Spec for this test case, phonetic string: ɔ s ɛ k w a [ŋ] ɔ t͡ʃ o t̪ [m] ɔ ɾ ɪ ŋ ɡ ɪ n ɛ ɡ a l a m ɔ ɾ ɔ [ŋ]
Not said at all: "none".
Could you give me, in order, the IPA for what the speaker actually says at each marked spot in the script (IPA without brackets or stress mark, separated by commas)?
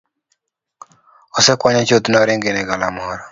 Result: ɲ, n, none